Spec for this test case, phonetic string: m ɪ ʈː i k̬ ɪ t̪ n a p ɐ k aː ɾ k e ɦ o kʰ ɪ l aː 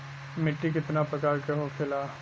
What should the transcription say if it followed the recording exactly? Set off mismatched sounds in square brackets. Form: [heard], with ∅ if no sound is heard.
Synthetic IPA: m ɪ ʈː i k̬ ɪ t̪ n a p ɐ k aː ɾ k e ɦ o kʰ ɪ l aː